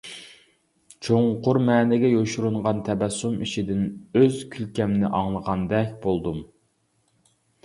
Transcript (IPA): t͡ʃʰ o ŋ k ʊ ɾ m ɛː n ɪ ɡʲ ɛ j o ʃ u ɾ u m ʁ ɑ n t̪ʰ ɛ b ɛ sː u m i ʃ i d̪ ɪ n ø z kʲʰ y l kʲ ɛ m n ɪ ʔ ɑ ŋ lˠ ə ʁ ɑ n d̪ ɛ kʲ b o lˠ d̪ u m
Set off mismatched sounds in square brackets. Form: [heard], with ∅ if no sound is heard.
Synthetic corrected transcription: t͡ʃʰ o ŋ [q] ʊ ɾ m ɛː n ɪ ɡʲ ɛ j o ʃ u ɾ u [ɴ] ʁ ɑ n t̪ʰ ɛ b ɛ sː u m i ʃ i d̪ ɪ n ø z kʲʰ y l kʲ ɛ m n ɪ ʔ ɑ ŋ lˠ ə ʁ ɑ n d̪ ɛ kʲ b o lˠ d̪ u m